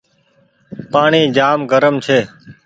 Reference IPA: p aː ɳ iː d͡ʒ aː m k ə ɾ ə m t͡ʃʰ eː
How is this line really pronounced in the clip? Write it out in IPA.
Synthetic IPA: p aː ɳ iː d͡ʒ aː m ɡ ə ɾ ə m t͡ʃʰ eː